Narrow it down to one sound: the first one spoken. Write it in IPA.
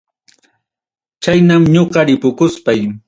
t͡ʃ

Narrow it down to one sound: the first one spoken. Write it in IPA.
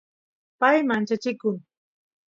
p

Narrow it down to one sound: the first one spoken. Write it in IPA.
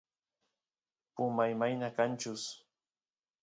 p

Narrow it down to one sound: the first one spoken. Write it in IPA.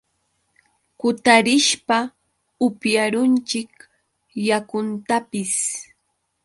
k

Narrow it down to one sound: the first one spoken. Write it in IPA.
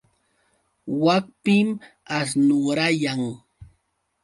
w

